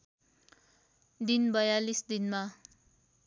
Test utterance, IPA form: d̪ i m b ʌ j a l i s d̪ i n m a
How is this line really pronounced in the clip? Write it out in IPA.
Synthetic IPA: d̪ i n b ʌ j a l i s d̪ i n m a